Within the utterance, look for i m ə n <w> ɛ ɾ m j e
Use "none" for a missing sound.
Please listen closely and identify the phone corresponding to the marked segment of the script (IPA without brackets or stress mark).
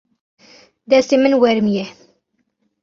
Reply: w